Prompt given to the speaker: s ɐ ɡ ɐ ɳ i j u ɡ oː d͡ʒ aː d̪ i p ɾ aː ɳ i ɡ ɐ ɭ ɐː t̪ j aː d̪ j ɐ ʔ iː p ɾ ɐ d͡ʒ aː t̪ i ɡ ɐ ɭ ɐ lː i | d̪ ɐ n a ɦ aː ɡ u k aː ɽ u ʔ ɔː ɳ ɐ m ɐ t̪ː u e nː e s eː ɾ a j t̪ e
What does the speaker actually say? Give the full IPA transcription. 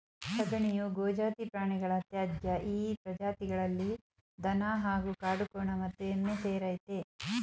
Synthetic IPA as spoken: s ɐ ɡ ɐ ɳ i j u ɡ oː d͡ʒ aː t̪ i p ɾ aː ɳ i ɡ ɐ ɭ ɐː t̪ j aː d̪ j ɐ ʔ iː p ɾ ɐ d͡ʒ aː t̪ i ɡ ɐ ɭ ɐ lː i | d̪ ɐ n a ɦ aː ɡ u k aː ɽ u k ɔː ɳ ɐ m ɐ t̪ː u e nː e s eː ɾ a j t̪ e